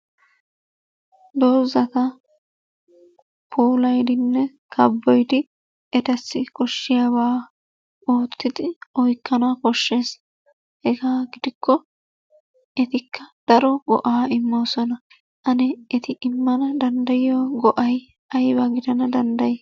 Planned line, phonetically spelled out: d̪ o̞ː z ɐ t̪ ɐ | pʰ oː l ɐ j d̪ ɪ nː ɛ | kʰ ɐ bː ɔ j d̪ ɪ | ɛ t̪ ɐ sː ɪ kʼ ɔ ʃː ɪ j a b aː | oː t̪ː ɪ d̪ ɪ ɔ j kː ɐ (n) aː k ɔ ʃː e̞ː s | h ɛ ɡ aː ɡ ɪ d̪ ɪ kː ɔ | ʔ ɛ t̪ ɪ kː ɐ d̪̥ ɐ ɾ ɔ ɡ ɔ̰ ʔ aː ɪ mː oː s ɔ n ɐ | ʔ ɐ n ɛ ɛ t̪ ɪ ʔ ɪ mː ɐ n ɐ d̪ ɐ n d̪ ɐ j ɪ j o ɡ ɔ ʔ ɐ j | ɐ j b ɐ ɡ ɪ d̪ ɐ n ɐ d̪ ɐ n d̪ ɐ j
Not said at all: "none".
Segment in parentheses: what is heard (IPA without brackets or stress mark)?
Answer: n